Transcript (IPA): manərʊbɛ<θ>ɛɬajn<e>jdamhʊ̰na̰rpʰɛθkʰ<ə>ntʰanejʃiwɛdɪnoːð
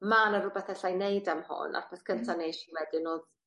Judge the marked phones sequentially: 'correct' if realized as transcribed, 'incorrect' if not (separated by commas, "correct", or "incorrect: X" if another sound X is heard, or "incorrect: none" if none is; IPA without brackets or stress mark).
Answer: correct, correct, correct